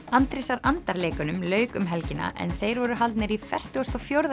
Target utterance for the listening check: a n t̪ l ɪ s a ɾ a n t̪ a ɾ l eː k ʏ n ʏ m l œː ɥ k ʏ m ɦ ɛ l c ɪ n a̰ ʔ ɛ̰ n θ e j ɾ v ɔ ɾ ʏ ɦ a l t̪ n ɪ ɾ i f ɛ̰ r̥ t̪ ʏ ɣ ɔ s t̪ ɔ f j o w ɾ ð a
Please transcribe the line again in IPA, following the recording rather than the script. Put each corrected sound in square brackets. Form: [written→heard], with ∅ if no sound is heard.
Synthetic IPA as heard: a n t̪ [l→ɾ] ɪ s a ɾ a n t̪ a ɾ l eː k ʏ n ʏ m l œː ɥ k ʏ m ɦ ɛ l c ɪ n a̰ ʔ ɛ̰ n θ e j ɾ v ɔ ɾ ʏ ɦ a l t̪ n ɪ ɾ i f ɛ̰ r̥ t̪ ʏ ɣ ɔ s t̪ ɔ f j o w ɾ ð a

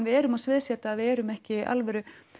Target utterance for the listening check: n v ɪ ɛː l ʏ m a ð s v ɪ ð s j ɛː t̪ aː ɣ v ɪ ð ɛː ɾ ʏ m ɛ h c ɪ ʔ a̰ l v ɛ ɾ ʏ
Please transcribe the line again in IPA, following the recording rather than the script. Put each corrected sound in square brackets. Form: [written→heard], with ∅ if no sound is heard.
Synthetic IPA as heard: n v ɪ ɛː [l→ɾ] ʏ m a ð s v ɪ ð s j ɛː t̪ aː [ɣ→ð] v ɪ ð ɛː ɾ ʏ m ɛ h c ɪ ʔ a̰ l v ɛ ɾ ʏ

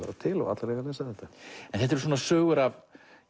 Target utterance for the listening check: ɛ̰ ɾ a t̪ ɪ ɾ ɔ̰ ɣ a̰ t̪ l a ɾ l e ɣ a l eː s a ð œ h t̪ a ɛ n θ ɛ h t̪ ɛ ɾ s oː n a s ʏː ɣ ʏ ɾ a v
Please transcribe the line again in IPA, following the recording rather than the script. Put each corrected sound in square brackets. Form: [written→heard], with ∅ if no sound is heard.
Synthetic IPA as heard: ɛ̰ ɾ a [t̪→t̪ʰ] ɪ [ɾ→l] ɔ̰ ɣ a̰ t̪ l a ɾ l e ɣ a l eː s a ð [œ→ɛ] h t̪ a ɛ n θ ɛ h t̪ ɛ ɾ s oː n a s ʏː ɣ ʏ ɾ a v

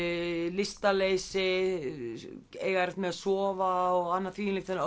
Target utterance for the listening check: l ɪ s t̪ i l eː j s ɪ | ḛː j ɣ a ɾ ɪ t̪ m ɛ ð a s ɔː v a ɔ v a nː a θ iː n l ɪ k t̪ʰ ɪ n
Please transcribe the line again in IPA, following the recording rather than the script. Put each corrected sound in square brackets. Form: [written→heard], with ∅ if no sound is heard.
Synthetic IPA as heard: l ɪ s t̪ [i→a] l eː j s ɪ | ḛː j ɣ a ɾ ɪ t̪ m ɛ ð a s ɔː v a ɔ [v→ɣ] a nː a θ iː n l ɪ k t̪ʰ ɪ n

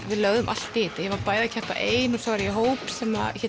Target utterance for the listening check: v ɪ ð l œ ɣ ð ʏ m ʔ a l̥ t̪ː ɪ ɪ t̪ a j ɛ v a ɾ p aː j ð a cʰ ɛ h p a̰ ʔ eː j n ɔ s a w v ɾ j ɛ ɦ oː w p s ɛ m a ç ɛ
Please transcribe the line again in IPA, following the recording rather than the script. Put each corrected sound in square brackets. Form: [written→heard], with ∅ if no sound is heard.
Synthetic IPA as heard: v ɪ ð l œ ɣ ð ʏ m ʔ a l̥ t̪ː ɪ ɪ t̪ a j ɛ v a ɾ p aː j ð a cʰ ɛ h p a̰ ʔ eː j n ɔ s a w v ɾ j ɛ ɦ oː w p s ɛ m a ç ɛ

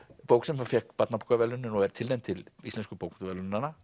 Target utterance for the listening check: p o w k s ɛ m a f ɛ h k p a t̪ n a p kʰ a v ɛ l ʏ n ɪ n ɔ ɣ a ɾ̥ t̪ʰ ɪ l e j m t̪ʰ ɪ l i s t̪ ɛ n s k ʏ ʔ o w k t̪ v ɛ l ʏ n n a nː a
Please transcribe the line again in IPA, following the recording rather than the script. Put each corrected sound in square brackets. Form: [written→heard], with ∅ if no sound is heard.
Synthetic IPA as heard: p o w k s ɛ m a f ɛ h k p a t̪ n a p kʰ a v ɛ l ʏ n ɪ n ɔ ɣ [a→ɛ] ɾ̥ t̪ʰ ɪ l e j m t̪ʰ ɪ l i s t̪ ɛ n s k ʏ [ʔ→p] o w k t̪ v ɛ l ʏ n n a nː a

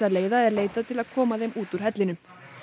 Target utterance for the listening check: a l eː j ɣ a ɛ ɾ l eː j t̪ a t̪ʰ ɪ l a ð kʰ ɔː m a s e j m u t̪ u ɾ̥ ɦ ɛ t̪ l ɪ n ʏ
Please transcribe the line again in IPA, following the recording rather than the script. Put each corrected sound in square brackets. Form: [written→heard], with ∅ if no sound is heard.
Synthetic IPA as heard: a l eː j [ɣ→ð] a ɛ ɾ l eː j t̪ a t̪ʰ ɪ l a ð kʰ ɔː m a [s→θ] e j m [u→uː] t̪ u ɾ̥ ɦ ɛ t̪ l ɪ n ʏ

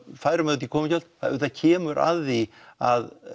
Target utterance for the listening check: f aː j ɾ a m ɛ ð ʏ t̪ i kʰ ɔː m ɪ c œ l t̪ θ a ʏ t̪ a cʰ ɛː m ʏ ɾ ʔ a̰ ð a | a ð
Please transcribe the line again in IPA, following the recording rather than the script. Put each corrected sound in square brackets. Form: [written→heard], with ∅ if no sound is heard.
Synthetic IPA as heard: f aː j ɾ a m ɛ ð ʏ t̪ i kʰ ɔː m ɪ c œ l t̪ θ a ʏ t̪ a cʰ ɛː m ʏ ɾ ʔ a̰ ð [a→i] | a ð

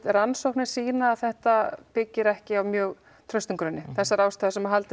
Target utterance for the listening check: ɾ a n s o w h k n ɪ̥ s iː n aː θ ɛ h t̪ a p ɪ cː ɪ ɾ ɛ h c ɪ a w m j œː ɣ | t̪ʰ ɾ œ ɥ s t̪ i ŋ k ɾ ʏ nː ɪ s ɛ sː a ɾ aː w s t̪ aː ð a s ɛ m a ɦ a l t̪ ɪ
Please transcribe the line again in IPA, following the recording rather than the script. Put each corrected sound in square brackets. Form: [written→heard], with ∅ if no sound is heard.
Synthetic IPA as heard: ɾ a n s o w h k n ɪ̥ s iː n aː θ ɛ h t̪ a p ɪ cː ɪ ɾ ɛ h c ɪ a w m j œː ɣ | t̪ʰ ɾ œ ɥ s t̪ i ŋ k ɾ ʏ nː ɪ [s→θ] ɛ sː a ɾ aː w s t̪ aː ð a s ɛ m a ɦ a l t̪ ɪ

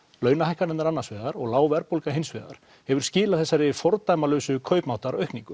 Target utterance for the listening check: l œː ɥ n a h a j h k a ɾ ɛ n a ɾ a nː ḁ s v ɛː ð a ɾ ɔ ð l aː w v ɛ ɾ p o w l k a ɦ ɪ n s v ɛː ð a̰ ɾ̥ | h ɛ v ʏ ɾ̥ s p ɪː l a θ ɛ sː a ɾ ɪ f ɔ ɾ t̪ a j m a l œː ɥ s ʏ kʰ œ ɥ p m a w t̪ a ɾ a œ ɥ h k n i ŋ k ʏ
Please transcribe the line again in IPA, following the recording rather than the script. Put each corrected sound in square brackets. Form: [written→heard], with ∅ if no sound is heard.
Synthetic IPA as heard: l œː ɥ n a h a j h k a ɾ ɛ n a ɾ a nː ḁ s v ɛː ð a ɾ ɔ [ð→ɣ] l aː w v ɛ ɾ p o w l k a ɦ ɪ n s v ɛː ð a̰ ɾ̥ | h ɛ v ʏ ɾ̥ s [p→c] ɪː l a θ ɛ sː a ɾ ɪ f ɔ ɾ t̪ a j m a l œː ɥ s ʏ kʰ œ ɥ p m a w t̪ a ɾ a œ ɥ h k n i ŋ k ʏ

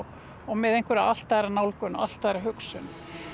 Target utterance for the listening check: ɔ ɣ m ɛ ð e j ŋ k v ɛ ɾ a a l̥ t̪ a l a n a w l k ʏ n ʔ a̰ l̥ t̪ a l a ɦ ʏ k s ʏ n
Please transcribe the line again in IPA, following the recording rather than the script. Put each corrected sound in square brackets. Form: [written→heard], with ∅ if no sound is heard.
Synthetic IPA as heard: ɔ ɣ m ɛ ð e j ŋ k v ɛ ɾ a a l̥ t̪ a [l→ɾ] a n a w l k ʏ n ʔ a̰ l̥ t̪ a [l→ɾ] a ɦ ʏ k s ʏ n

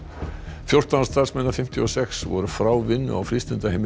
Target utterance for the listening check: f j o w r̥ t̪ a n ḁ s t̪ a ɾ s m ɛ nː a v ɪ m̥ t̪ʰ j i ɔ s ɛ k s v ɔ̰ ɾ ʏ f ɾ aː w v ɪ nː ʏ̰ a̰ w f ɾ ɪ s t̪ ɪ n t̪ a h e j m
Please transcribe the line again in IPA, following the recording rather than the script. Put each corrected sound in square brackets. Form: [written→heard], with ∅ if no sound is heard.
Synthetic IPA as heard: f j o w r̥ t̪ a n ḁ s t̪ a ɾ s m ɛ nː a [v→f] ɪ m̥ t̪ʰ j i ɔ s ɛ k s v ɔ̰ ɾ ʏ f ɾ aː w v ɪ nː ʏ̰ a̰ w f ɾ ɪ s t̪ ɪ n t̪ a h e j m

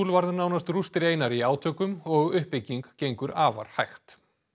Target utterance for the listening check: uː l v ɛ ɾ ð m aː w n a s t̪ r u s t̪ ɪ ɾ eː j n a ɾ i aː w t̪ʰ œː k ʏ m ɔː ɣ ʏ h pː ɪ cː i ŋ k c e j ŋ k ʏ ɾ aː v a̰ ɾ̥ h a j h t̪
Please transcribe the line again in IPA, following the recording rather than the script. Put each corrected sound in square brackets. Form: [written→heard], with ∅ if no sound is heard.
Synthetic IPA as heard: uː l v [ɛ→a] ɾ ð [m→n] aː w n a s t̪ r u s t̪ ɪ ɾ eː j n a ɾ i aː w t̪ʰ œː k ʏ m [ɔː→ɔ] ɣ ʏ h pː ɪ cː i ŋ k c e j ŋ k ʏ ɾ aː v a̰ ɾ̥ h a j [h→x] t̪

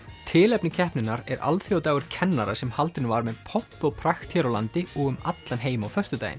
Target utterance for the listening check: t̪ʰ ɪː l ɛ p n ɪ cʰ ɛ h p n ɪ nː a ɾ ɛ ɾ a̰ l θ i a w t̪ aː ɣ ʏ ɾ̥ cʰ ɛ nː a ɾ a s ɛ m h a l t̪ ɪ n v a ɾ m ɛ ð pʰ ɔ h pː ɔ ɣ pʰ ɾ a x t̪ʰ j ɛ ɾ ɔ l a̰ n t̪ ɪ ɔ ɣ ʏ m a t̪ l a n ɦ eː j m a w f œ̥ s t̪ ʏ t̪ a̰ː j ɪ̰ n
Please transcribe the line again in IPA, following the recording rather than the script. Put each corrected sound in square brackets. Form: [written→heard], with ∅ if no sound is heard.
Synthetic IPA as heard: t̪ʰ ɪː l ɛ p n ɪ cʰ ɛ h p n ɪ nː a ɾ ɛ ɾ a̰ l θ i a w t̪ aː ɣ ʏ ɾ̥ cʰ ɛ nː a ɾ a s ɛ m h a l t̪ ɪ n v a ɾ m ɛ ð pʰ ɔ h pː ɔ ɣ pʰ ɾ a x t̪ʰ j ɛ ɾ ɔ l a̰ n t̪ ɪ ɔ ɣ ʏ m a t̪ l a n ɦ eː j m a w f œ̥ s t̪ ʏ t̪ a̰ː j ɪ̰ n

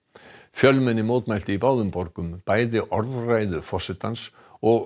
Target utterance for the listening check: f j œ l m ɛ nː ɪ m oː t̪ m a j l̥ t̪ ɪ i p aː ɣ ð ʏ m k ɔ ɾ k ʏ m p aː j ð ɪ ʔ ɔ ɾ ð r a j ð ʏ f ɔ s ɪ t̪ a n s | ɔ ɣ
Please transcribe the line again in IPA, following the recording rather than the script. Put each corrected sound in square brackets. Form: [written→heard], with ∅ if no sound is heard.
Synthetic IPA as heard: f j œ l m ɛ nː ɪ m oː t̪ m a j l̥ t̪ ɪ i p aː [ɣ→w] ð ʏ m [k→p] ɔ ɾ k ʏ m p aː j ð ɪ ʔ ɔ ɾ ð r a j ð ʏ f ɔ s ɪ t̪ a n s | ɔ ɣ

